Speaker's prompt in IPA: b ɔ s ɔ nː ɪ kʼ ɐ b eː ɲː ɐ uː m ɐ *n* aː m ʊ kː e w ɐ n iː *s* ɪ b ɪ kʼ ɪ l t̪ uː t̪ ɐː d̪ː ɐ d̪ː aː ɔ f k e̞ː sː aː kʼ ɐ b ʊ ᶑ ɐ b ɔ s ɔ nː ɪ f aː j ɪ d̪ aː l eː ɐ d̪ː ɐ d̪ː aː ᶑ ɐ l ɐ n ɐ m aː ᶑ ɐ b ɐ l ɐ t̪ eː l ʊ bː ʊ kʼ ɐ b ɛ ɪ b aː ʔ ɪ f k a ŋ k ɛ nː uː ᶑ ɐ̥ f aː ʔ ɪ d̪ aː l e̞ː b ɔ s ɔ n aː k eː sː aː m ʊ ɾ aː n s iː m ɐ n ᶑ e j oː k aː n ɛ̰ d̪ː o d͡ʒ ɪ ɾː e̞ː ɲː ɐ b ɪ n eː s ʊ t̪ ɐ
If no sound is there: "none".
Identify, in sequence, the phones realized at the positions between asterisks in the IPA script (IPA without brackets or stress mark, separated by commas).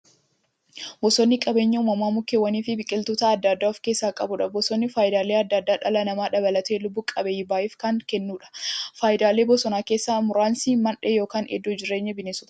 m, f